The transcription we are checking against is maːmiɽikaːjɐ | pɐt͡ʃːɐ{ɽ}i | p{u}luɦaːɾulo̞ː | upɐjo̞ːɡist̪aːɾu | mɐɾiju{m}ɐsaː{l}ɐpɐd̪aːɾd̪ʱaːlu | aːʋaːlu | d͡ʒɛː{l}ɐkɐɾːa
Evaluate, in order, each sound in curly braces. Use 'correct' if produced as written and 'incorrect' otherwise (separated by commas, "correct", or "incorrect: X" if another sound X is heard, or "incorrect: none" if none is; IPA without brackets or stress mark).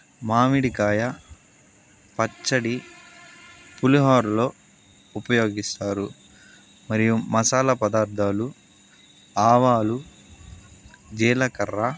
correct, correct, correct, correct, correct